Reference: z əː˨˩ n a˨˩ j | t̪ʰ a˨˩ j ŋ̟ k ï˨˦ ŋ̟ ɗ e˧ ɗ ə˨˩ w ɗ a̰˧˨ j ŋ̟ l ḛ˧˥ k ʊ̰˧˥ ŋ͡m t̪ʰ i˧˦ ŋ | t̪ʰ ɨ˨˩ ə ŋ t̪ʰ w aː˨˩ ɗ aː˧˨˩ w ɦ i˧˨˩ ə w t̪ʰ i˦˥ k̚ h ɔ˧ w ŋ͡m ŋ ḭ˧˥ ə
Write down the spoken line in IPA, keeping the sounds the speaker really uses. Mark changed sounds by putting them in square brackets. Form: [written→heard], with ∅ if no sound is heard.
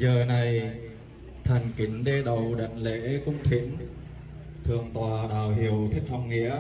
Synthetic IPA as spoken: z əː˨˩ n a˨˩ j | t̪ʰ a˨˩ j ŋ̟ k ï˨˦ ŋ̟ ɗ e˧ ɗ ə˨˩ w ɗ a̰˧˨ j ŋ̟ l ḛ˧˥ k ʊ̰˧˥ ŋ͡m t̪ʰ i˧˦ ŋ | t̪ʰ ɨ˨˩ ə ŋ [t̪ʰ→t̪] w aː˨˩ ɗ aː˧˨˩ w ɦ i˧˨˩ ə w t̪ʰ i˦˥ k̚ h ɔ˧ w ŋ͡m ŋ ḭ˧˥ ə